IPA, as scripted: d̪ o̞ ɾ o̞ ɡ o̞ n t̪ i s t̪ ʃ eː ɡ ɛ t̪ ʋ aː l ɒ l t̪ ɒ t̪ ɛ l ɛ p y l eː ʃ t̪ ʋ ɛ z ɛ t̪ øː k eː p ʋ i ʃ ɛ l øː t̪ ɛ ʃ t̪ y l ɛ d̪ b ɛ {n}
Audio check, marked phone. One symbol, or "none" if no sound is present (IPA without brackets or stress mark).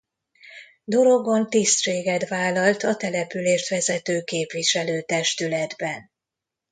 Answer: n